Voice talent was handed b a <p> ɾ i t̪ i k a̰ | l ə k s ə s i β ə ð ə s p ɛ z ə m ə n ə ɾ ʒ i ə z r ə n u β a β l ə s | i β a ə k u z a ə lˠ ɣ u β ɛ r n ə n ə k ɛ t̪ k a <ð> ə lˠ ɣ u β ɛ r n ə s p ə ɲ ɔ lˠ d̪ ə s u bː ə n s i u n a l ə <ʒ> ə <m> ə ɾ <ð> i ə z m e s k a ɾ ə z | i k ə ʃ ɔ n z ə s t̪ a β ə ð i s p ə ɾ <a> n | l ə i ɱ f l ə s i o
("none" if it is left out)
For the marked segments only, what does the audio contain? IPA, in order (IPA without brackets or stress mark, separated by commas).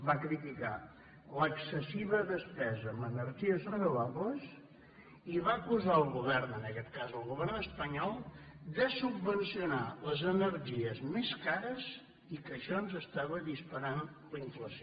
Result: k, z, z, n, ʒ, a